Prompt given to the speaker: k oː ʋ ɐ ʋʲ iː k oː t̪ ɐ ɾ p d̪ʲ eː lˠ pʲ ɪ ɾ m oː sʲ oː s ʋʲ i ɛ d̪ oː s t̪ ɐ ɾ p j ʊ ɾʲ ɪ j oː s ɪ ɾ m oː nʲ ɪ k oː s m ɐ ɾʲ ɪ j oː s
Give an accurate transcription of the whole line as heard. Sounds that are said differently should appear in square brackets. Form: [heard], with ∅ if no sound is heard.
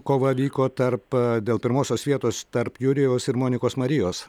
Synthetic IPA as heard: k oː ʋ ɐ ʋʲ iː k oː t̪ ɐ ɾ p d̪ʲ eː lˠ pʲ ɪ ɾ m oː sʲ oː s ʋʲ i ɛ [t̪] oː s t̪ ɐ ɾ p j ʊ ɾʲ ɪ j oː s ɪ ɾ m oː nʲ ɪ k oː s m ɐ ɾʲ ɪ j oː s